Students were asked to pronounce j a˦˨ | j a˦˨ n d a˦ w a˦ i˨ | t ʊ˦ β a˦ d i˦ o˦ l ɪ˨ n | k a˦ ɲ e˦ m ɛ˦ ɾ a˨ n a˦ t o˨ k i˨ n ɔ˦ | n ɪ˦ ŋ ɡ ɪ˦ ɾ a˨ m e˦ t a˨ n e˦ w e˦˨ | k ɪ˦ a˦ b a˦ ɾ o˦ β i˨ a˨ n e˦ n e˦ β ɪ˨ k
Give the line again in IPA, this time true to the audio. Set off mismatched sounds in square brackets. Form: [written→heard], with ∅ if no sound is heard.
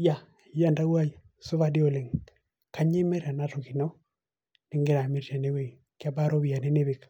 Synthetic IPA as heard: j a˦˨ | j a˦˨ n d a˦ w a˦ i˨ | [t→s] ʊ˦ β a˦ d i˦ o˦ l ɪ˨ [n→ŋ] | k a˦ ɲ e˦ m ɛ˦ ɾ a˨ n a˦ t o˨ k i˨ n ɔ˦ | n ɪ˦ ŋ ɡ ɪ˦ ɾ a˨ m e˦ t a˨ n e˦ w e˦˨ | k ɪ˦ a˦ b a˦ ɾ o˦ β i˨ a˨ n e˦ n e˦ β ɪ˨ k

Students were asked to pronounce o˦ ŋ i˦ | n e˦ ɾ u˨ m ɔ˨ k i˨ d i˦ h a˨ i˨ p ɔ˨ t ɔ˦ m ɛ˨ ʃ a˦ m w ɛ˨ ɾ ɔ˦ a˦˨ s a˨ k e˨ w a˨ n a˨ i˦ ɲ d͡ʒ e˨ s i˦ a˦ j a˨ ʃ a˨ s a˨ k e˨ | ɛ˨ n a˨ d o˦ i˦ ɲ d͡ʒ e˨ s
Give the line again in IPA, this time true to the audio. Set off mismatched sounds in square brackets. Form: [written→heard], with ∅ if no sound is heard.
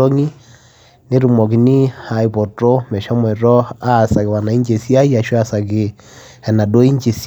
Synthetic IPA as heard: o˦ ŋ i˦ | n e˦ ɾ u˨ m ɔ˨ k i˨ [d→n] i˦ h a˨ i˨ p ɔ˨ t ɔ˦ m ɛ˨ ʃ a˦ m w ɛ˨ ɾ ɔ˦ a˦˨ s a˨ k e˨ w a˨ n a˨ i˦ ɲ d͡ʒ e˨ s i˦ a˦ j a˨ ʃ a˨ s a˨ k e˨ | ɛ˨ n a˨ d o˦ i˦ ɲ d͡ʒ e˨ s

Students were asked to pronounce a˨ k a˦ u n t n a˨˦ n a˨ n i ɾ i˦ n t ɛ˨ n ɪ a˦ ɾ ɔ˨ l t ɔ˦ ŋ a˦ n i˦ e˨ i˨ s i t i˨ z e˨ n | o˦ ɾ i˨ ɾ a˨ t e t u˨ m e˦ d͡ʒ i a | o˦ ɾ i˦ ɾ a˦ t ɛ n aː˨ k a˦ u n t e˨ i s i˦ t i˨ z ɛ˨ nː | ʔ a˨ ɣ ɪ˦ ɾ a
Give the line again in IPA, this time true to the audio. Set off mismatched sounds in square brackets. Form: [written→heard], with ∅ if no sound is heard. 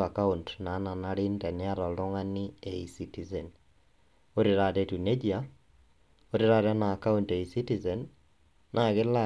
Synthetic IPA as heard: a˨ k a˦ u n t n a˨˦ n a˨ n [i→a] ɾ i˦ n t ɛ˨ n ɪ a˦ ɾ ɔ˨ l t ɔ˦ ŋ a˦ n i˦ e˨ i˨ s i t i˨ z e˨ n | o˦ ɾ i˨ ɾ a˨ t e t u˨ [m→n] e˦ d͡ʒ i a | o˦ ɾ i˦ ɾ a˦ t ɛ n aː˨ k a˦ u n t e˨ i s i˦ t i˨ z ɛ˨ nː | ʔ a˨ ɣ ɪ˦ [ɾ→l] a

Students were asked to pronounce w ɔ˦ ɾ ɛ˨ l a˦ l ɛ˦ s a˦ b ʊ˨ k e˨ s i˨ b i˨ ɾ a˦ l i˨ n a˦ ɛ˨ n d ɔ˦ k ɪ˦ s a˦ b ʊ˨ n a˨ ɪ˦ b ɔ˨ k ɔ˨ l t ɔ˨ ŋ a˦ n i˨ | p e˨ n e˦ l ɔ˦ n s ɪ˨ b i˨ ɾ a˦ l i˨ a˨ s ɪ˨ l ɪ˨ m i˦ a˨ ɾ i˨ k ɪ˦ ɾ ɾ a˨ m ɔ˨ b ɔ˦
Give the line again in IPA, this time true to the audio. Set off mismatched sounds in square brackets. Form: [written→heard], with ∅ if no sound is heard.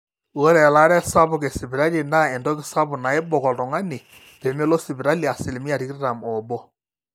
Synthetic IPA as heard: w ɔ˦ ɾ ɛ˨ l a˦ [l→ɾ] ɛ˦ s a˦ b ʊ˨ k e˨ s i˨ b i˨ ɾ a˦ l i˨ n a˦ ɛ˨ n d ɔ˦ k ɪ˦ s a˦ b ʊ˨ n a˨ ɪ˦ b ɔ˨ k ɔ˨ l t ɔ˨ ŋ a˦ n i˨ | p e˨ [n→m] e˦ l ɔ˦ [n→∅] s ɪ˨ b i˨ ɾ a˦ l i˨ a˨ s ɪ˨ l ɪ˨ m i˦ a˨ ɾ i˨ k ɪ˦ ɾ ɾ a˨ m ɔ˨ b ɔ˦

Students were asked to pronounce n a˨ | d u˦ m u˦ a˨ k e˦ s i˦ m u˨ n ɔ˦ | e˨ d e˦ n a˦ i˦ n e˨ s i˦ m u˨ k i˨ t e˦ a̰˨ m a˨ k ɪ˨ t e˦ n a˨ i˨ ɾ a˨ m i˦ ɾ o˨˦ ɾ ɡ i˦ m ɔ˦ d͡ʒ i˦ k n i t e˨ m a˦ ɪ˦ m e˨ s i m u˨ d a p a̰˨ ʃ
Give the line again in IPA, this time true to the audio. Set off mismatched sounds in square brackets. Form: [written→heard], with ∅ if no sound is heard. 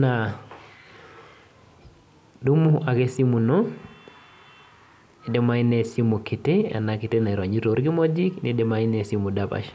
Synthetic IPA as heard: n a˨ | d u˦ m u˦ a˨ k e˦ s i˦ m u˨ n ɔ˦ | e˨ d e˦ [n→m] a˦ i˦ n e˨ s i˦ m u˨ k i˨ t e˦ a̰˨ [m→n] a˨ k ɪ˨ t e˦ n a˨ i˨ ɾ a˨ [m→ɲ] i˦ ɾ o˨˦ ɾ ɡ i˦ m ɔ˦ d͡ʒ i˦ k n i [t→d] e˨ m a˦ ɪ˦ [m→n] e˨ s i m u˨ d a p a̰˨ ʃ

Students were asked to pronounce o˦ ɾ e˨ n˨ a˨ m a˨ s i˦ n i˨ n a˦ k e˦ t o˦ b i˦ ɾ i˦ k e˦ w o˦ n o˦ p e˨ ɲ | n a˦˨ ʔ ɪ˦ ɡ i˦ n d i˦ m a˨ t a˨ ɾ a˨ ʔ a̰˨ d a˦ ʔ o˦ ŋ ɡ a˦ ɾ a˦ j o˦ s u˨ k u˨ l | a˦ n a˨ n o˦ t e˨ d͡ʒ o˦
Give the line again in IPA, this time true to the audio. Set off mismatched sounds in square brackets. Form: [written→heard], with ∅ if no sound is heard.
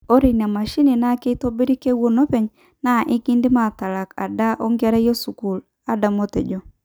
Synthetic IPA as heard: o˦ ɾ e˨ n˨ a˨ m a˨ [s→ʃ] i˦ n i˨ n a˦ k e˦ t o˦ b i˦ ɾ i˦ k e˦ w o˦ n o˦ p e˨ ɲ | n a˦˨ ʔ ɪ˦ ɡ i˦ n d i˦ m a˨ t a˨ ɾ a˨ [ʔ→k] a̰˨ d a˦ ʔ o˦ ŋ ɡ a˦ ɾ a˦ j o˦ s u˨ k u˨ l | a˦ [n→d] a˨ [n→m] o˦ t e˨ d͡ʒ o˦

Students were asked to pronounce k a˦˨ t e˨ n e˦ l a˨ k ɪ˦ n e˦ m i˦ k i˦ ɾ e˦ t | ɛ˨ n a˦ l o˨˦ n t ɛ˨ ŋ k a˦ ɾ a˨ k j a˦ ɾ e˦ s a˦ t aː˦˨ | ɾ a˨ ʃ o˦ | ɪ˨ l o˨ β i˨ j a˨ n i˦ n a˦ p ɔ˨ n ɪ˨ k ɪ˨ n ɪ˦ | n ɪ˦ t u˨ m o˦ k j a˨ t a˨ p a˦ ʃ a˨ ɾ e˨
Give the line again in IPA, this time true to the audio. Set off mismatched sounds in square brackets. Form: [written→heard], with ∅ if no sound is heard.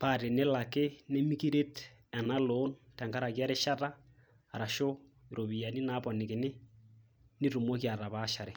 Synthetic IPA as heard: [k→p] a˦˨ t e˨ n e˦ l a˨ k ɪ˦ n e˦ m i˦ k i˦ ɾ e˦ t | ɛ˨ n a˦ l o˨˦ n t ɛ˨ ŋ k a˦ ɾ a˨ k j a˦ ɾ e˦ [s→ʃ] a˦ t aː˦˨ | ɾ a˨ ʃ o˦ | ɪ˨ [l→ɾ] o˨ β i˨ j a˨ n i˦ n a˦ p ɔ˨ n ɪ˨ k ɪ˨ n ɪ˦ | n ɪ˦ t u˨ m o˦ k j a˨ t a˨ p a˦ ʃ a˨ ɾ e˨

